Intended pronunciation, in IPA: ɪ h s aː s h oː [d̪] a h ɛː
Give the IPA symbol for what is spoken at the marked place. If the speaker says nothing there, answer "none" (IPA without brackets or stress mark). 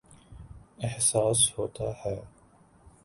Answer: t̪